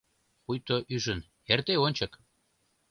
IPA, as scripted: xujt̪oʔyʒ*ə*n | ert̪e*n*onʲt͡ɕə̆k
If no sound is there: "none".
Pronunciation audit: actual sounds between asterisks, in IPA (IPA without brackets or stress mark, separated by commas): ə, none